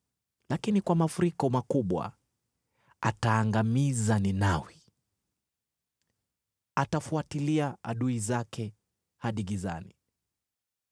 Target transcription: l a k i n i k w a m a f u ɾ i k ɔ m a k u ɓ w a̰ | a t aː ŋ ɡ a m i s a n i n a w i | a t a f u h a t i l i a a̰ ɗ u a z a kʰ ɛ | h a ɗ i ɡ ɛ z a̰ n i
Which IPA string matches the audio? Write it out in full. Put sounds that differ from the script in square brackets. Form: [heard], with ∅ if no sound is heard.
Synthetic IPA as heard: l a k i n i k w a m a f u ɾ i k ɔ m a k u ɓ w a̰ | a t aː ŋ ɡ a m i [z] a n i n a w i | a t a f u [∅] a t i l i a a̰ ɗ u [i] z a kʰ ɛ | h a ɗ i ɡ [i] z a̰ n i